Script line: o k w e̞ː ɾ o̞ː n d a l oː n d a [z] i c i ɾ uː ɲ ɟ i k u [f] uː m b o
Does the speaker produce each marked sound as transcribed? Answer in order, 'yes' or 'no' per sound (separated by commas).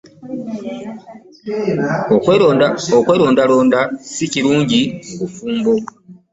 no, yes